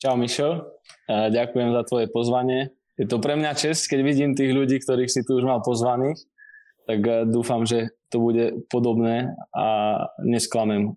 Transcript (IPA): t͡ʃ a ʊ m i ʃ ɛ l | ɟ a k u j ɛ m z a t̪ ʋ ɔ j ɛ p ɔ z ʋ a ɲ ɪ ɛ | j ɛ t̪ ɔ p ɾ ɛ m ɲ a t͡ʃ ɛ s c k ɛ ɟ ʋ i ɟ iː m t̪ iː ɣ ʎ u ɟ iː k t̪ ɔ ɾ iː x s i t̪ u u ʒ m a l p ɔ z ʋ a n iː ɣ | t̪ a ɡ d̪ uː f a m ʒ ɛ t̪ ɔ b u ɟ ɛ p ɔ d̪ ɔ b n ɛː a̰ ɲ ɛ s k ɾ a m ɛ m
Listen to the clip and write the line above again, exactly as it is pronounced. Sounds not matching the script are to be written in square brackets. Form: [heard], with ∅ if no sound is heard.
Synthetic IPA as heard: t͡ʃ a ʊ m i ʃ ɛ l | ɟ a k u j ɛ m z a t̪ ʋ ɔ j ɛ p ɔ z ʋ a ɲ ɪ ɛ | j ɛ t̪ ɔ p ɾ ɛ m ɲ a t͡ʃ ɛ s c k ɛ ɟ ʋ i ɟ iː m t̪ iː ɣ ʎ u ɟ iː k t̪ ɔ ɾ iː x s i t̪ u u ʒ m a l p ɔ z ʋ a n iː [x] | t̪ a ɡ d̪ uː f a m ʒ ɛ t̪ ɔ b u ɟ ɛ p ɔ d̪ ɔ b n ɛː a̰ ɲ ɛ s k [l] a m ɛ m